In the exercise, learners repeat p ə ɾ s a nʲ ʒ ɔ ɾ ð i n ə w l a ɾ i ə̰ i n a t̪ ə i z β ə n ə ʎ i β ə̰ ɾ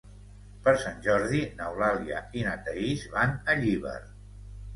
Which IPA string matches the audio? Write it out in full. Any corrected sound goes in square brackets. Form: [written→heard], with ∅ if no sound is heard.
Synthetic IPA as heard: p ə ɾ s a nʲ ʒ ɔ ɾ ð i n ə w l a [ɾ→l] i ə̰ i n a t̪ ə i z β [ə→a] n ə ʎ i β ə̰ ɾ